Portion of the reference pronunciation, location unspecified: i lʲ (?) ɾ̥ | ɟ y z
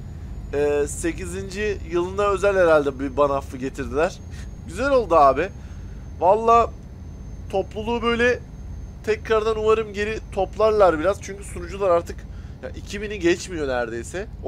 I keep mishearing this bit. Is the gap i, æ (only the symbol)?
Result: æ